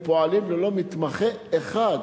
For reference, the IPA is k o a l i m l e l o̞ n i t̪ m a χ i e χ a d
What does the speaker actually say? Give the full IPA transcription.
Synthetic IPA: p o a l i m l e l o̞ m i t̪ m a χ e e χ a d